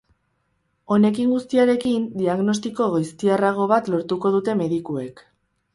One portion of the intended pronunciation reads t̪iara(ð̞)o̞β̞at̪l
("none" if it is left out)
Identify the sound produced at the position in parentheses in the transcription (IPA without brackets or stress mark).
ɣ̞